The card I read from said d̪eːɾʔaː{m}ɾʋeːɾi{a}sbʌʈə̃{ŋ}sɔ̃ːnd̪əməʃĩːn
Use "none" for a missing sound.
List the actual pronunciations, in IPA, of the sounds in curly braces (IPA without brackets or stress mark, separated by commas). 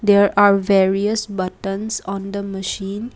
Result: none, ə, n